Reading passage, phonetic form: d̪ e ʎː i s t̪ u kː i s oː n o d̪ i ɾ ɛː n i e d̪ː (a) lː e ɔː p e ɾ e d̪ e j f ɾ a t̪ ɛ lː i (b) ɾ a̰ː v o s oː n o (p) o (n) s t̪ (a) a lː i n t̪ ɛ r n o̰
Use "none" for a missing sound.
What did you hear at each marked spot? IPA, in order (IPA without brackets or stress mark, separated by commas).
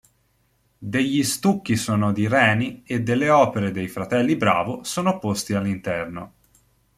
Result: e, b, p, none, i